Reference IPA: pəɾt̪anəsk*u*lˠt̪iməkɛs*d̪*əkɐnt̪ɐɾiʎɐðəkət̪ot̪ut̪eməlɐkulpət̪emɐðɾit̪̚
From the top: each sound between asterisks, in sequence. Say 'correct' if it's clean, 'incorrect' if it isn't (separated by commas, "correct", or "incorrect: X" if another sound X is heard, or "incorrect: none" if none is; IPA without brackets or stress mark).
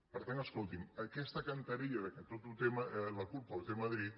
incorrect: o, incorrect: t̪